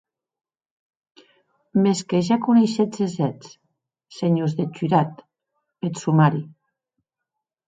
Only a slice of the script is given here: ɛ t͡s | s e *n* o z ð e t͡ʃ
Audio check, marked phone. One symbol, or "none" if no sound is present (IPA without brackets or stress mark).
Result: ɲ